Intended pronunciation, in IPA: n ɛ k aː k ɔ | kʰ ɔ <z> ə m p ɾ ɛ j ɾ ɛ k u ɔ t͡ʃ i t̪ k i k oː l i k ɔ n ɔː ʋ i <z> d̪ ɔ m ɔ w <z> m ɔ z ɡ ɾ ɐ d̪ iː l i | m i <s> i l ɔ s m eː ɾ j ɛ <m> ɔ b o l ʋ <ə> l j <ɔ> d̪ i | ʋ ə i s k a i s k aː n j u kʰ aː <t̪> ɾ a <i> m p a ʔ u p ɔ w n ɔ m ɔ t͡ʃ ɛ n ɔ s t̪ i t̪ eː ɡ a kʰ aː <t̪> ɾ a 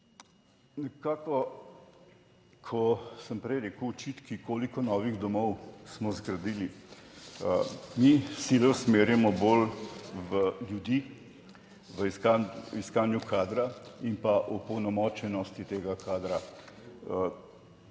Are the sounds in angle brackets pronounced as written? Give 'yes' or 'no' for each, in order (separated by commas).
no, no, no, yes, yes, yes, no, no, yes, no